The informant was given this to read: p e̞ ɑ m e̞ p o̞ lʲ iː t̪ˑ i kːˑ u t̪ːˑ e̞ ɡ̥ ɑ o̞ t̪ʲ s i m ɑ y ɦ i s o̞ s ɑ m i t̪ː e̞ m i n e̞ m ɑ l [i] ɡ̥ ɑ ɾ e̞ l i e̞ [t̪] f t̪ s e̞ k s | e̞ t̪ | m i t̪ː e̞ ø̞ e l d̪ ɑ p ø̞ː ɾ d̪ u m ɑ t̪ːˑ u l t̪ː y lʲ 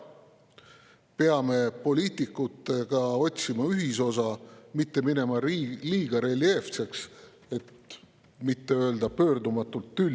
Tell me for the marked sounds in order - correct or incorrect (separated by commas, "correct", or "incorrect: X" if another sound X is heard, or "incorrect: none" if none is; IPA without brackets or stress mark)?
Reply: incorrect: iː, incorrect: none